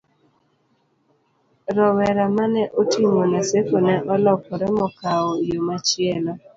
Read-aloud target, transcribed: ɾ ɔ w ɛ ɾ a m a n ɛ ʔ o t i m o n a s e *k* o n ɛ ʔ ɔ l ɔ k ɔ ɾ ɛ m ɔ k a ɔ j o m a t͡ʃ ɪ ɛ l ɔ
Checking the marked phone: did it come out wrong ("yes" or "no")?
no